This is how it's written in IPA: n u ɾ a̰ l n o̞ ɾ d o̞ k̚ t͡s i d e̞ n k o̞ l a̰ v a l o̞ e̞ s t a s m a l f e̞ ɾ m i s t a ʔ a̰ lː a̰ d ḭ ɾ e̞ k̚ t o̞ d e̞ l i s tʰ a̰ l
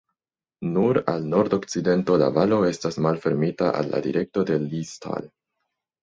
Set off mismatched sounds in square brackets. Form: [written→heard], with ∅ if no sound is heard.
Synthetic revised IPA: n u ɾ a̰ l n o̞ ɾ d o̞ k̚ t͡s i d e̞ n [k→t] o̞ l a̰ v a l o̞ e̞ s t a s m a l f e̞ ɾ m i [s→∅] t a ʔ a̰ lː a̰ d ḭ ɾ e̞ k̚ t o̞ d e̞ l i s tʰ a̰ l